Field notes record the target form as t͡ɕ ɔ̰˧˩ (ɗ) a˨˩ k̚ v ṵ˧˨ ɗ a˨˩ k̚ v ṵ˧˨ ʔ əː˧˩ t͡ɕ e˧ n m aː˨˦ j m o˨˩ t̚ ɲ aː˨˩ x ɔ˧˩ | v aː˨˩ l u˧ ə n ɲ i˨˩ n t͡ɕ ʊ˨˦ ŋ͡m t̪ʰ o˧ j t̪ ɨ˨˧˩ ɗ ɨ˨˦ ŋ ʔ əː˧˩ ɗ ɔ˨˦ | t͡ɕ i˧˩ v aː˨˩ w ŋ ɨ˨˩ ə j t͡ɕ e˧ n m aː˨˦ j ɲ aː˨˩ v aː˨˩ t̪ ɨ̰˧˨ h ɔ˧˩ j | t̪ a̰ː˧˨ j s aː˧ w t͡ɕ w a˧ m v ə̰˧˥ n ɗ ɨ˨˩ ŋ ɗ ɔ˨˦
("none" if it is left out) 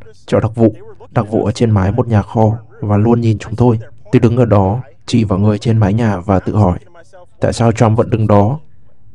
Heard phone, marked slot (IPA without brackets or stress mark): ɗ